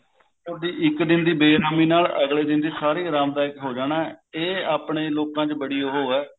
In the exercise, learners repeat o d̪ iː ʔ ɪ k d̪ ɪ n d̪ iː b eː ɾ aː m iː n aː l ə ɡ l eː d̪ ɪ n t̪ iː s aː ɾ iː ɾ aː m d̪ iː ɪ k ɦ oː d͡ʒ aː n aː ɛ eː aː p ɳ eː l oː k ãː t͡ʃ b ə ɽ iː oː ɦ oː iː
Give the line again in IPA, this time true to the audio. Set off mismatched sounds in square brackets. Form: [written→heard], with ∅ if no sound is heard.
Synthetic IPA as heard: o d̪ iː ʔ ɪ k d̪ ɪ n d̪ iː b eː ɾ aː m iː n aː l ə ɡ l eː d̪ ɪ n [t̪→d̪] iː s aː ɾ iː ɾ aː m d̪ [iː→aː] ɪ k ɦ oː d͡ʒ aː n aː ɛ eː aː p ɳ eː l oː k ãː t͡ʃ b ə ɽ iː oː ɦ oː [iː→ɛː]

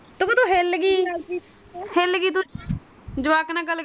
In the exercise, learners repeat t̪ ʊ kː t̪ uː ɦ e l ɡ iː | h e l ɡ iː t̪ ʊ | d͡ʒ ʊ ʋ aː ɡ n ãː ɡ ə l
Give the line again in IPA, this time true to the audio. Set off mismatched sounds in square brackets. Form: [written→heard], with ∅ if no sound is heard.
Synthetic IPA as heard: t̪ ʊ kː t̪ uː ɦ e l ɡ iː | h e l ɡ iː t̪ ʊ | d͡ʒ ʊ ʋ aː [ɡ→k] n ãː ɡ ə l

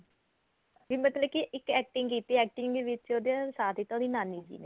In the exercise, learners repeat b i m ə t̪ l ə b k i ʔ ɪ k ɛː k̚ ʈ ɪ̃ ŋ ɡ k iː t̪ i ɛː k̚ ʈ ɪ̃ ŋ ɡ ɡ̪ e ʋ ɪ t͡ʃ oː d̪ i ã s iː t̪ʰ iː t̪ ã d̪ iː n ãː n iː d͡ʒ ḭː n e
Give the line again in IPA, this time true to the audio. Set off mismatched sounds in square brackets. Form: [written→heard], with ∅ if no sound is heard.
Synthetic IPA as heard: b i m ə t̪ l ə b k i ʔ ɪ k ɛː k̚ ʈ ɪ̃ ŋ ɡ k iː t̪ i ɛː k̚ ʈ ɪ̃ ŋ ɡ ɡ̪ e ʋ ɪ t͡ʃ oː d̪ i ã s [iː→aː] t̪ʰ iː t̪ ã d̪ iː n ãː n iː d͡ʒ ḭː n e

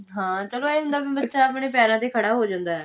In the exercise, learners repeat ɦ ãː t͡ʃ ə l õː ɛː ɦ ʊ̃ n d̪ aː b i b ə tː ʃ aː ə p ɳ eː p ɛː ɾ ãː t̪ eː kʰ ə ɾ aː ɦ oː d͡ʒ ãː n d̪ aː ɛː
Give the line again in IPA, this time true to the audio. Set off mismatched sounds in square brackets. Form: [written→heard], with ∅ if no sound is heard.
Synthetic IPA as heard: ɦ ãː t͡ʃ ə l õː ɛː ɦ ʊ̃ n d̪ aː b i b ə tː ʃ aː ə p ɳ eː p ɛː ɾ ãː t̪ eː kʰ ə [ɾ→ɽ] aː ɦ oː d͡ʒ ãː n d̪ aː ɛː

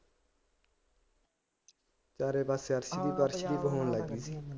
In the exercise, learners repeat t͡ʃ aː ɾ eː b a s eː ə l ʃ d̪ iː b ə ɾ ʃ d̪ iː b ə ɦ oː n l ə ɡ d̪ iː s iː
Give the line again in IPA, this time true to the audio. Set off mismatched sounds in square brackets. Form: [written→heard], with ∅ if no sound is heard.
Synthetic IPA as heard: t͡ʃ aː ɾ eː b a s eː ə [l→ɾ] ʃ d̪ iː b ə ɾ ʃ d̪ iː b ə ɦ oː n l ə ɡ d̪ iː s iː

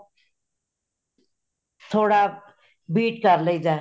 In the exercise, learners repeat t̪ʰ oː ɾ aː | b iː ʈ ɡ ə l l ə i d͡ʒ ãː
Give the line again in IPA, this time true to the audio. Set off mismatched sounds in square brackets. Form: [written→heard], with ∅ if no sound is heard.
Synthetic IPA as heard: t̪ʰ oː [ɾ→ɽ] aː | b iː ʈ [ɡ→k] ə [l→ɾ] l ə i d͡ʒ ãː

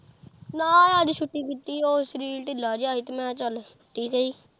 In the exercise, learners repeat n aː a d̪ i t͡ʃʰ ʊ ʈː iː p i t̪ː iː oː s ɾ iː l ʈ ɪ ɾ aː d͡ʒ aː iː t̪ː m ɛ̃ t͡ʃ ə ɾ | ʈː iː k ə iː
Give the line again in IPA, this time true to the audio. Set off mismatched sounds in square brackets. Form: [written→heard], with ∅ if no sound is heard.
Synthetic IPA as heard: n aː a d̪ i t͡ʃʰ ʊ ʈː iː [p→k] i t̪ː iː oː s ɾ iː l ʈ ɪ [ɾ→l] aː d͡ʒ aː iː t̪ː m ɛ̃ t͡ʃ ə [ɾ→l] | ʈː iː k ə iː

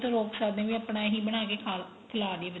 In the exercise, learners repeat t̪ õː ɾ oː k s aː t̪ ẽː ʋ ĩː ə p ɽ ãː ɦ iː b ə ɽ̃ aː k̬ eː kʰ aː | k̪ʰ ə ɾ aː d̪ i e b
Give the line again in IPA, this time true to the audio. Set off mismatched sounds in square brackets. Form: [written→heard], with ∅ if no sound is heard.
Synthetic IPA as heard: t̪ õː ɾ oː k s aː [t̪→d̪] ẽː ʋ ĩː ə p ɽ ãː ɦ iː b ə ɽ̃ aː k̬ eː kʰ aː | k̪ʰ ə [ɾ→l] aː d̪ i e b

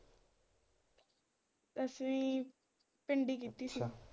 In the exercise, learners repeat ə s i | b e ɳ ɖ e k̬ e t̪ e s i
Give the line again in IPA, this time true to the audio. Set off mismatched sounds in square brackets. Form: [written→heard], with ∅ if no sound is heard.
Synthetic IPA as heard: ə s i | [b→p] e ɳ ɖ [e→i] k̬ [e→i] t̪ [e→i] s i

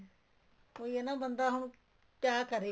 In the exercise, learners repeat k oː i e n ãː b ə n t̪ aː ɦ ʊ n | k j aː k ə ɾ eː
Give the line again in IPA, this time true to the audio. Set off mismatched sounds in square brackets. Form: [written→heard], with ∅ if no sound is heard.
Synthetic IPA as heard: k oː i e n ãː b ə n [t̪→d̪] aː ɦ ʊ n | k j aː k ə ɾ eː

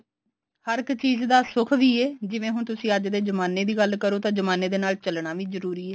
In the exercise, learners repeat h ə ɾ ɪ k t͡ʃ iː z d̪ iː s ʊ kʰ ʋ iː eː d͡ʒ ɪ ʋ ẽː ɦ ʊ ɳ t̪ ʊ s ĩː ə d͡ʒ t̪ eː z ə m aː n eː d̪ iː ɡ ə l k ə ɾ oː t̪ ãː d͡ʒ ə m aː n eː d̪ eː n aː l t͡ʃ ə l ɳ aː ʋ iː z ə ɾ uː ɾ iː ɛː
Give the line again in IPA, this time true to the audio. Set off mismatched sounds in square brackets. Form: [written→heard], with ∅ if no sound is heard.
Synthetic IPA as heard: h ə ɾ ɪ k t͡ʃ iː z d̪ [iː→aː] s ʊ kʰ ʋ iː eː d͡ʒ ɪ ʋ ẽː ɦ ʊ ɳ t̪ ʊ s ĩː ə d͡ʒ [t̪→d̪] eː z ə m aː n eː d̪ iː ɡ ə l k ə ɾ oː t̪ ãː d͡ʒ ə m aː n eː d̪ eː n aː l t͡ʃ ə l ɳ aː ʋ iː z ə ɾ uː ɾ iː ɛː

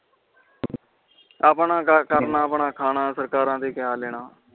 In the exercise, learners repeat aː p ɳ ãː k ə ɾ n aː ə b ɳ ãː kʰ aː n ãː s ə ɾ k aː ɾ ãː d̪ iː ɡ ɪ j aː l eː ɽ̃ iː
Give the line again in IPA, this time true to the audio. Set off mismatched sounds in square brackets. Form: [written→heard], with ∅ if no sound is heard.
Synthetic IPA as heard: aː p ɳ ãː k ə ɾ n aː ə [b→p] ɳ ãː kʰ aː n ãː s ə ɾ k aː ɾ ãː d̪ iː [ɡ→k] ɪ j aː l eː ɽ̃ [iː→aː]

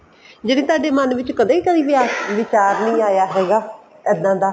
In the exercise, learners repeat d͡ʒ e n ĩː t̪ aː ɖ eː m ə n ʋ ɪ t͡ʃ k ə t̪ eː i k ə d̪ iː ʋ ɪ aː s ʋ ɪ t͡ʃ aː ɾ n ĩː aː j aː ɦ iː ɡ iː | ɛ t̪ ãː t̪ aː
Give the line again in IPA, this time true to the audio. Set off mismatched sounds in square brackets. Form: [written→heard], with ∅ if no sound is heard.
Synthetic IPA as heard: d͡ʒ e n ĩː t̪ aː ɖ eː m ə n ʋ ɪ t͡ʃ k ə [t̪→d̪] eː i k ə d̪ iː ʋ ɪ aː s ʋ ɪ t͡ʃ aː ɾ n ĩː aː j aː ɦ [iː→ɛː] ɡ [iː→aː] | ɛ [t̪→d̪] ãː [t̪→d̪] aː

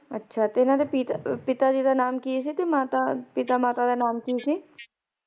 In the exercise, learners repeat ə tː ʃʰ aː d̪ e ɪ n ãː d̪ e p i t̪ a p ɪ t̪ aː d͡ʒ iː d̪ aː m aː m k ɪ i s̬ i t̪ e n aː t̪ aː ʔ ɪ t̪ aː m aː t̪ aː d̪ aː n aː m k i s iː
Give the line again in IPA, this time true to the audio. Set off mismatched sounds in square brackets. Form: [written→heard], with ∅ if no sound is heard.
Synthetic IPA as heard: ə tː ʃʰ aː [d̪→t̪] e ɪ n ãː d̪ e p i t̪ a p ɪ t̪ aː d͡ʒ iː d̪ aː [m→n] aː m k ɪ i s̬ i t̪ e [n→m] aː t̪ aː [ʔ→p] ɪ t̪ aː m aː t̪ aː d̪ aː n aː m k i s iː

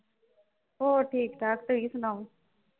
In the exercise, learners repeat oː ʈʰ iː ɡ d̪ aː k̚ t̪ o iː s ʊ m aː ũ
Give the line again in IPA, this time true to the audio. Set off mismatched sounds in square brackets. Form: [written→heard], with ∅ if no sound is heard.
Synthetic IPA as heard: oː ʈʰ iː [ɡ→k] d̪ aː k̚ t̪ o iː s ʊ [m→n] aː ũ

